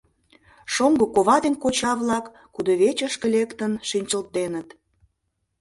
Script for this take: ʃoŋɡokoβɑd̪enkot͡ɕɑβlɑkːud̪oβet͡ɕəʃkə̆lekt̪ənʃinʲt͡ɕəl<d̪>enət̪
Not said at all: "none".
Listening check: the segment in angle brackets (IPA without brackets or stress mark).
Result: t̪